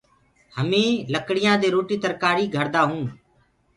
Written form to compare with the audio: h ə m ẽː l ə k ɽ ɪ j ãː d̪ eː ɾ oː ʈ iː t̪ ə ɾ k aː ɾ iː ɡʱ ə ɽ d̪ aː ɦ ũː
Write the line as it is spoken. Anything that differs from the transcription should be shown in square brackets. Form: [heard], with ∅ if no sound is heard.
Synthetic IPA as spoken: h ə m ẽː l ə k ɽ ɪ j ãː d̪ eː ɾ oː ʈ iː t̪ ə ɾ k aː ɾ iː ɡʱ ə [ɾ] d̪ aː ɦ ũː